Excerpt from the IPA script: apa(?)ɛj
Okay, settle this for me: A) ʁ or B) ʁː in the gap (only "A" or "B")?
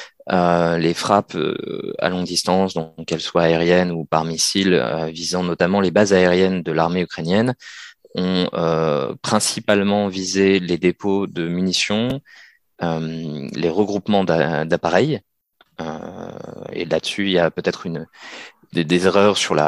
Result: A